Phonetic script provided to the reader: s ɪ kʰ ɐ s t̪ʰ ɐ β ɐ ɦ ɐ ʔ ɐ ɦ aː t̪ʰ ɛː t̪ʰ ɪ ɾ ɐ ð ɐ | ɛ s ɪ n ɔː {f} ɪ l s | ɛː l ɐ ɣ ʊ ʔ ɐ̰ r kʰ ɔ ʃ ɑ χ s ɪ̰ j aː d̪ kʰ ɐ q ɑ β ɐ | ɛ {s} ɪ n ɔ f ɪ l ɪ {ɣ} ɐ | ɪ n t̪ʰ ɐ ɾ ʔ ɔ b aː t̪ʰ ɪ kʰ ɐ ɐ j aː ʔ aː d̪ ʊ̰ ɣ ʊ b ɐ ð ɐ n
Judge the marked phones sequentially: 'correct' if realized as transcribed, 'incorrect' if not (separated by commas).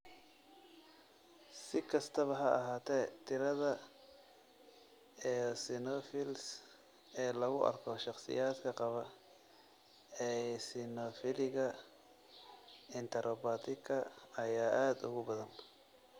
correct, correct, correct